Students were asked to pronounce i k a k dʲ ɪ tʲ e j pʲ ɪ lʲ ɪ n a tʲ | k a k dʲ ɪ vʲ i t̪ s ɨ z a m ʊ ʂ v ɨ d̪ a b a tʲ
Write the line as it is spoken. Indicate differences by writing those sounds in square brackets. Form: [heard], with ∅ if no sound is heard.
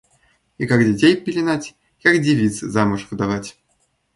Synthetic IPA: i k a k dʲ ɪ tʲ e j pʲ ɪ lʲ ɪ n a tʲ | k a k dʲ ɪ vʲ i t̪ s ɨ z a m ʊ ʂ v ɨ d̪ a [v] a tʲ